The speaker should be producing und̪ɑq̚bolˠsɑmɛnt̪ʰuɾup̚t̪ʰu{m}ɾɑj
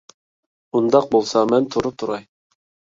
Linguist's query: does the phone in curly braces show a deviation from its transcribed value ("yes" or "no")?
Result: yes